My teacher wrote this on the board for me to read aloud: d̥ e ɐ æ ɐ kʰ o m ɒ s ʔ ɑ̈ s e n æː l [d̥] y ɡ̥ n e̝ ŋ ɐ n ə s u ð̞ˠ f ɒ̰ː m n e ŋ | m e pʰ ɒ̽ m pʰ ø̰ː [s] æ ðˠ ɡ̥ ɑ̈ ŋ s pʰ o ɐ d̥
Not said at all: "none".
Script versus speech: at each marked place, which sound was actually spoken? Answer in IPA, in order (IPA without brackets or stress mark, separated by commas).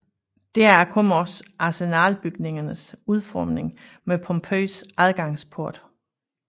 b̥, s